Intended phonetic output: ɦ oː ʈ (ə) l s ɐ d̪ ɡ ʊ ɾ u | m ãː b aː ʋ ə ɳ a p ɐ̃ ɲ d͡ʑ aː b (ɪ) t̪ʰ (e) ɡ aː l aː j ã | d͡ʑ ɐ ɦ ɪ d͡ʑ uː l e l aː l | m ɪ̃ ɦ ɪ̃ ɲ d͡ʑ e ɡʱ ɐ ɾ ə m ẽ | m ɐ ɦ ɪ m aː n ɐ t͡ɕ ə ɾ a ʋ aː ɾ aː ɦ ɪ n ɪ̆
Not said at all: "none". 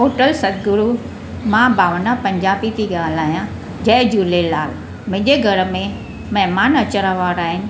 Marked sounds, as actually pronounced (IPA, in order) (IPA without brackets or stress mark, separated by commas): ə, i, i